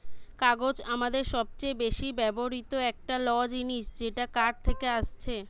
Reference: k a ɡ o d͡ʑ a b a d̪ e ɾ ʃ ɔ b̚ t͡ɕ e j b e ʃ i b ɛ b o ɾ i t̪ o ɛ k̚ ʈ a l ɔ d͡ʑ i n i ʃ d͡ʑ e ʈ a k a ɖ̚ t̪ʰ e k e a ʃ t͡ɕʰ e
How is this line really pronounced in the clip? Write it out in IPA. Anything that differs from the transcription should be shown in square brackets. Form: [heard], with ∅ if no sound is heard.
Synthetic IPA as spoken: k a ɡ o d͡ʑ a [m] a d̪ e ɾ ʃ ɔ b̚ t͡ɕ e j b e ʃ i b ɛ b o ɾ i t̪ o ɛ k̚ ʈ a l ɔ d͡ʑ i n i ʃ d͡ʑ e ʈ a k a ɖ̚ t̪ʰ e k e a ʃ t͡ɕʰ e

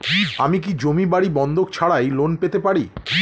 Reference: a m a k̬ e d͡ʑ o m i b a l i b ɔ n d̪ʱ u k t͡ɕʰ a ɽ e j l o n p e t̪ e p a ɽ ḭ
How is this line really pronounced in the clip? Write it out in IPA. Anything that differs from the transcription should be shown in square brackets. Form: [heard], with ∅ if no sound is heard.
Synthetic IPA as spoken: a m [i] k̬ [i] d͡ʑ o m i b a [ɽ] i b ɔ n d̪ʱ [o] k t͡ɕʰ a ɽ [a] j l o n p e t̪ e p a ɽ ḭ

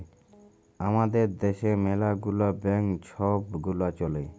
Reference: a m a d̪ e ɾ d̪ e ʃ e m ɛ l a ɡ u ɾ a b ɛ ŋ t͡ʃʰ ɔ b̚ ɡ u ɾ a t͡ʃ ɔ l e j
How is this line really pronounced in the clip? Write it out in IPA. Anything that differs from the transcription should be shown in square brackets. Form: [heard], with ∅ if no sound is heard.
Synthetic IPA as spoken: a m a d̪ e ɾ d̪ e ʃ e m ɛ l a ɡ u [l] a b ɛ ŋ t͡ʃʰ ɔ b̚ ɡ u [l] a t͡ʃ ɔ l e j

